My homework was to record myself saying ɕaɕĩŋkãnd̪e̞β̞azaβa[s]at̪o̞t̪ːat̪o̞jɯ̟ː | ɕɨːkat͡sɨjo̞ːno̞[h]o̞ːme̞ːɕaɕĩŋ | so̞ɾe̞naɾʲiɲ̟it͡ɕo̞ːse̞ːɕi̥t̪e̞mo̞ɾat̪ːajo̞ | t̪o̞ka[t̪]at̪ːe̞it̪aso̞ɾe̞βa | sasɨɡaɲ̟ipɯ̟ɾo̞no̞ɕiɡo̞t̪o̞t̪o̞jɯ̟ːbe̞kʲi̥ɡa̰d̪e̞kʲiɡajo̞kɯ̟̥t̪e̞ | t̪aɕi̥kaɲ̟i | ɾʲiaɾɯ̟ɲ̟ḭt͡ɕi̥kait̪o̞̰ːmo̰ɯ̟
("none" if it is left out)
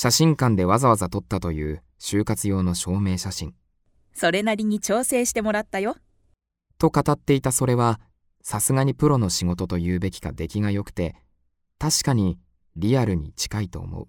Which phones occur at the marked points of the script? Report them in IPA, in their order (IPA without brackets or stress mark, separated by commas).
z, ɕ, t̪